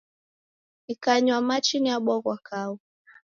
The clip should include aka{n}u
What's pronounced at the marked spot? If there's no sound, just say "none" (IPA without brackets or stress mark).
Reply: none